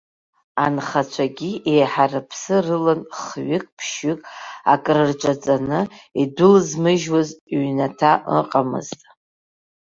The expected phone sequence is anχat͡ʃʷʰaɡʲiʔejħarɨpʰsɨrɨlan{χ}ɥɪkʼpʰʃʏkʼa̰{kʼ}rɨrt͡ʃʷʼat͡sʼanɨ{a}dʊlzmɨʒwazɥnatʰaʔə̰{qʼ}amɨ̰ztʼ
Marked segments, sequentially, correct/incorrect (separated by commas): correct, correct, incorrect, correct